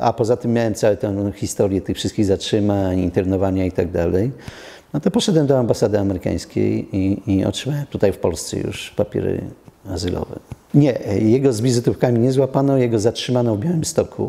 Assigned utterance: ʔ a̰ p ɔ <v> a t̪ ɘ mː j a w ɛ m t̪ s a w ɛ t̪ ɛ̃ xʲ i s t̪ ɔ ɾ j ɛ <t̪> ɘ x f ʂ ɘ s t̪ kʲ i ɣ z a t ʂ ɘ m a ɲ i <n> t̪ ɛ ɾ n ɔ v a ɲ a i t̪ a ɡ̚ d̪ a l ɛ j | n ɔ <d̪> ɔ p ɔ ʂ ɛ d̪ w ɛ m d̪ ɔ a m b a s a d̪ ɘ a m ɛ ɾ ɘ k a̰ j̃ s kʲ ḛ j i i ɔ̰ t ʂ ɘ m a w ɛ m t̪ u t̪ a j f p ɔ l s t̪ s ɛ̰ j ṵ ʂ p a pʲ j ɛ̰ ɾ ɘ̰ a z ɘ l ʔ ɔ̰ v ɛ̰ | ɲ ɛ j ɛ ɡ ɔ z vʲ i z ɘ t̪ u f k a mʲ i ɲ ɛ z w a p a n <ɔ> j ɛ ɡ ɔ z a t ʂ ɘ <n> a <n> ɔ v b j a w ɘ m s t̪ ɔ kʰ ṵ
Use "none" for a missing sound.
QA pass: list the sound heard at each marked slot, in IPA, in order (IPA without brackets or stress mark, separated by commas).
z, t̪, n, t̪, ɔ, m, n